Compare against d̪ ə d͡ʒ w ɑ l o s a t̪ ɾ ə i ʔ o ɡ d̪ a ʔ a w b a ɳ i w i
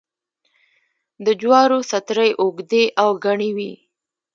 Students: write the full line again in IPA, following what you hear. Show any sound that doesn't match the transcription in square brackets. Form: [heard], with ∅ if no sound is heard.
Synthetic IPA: d̪ ə d͡ʒ w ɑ [ɾ] o s a t̪ ɾ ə [j] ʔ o ɡ d̪ [e] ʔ a w [ɡ] a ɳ i w i